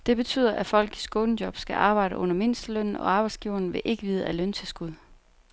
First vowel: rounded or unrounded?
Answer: unrounded